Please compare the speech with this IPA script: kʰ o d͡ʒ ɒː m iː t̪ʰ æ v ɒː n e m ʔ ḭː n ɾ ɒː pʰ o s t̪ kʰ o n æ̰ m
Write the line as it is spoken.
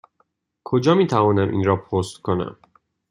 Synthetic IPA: kʰ o d͡ʒ ɒː m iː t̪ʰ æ v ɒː n æ m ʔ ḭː n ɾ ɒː pʰ o s t̪ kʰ o n æ̰ m